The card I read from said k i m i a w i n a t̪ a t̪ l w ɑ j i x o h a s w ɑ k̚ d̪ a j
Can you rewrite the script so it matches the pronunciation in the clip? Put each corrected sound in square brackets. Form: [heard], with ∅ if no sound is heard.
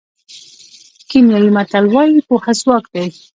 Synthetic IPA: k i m [j] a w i [m] a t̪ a [∅] l w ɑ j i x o h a s w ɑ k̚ d̪ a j